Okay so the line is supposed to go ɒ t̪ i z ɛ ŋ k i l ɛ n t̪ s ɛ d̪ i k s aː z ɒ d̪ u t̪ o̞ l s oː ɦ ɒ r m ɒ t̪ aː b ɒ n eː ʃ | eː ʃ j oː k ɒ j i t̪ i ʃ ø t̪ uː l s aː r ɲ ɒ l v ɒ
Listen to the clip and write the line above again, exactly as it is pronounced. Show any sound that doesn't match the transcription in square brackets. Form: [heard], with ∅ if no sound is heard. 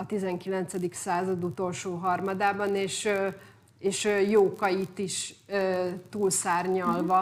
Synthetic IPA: ɒ t̪ i z ɛ ŋ k i l ɛ n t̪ s ɛ d̪ i k s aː z ɒ d̪ u t̪ o̞ l [ʃ] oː ɦ ɒ r m ɒ [d̪] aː b ɒ n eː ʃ | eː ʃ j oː k ɒ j i t̪ i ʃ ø t̪ uː l s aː r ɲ ɒ l v ɒ